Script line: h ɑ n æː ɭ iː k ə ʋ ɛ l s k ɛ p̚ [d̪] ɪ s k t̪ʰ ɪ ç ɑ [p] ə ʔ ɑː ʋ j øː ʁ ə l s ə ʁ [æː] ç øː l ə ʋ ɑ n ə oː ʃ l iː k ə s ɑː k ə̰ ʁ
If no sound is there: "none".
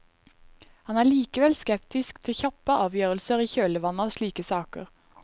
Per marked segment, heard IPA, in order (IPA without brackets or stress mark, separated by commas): t̪, p, iː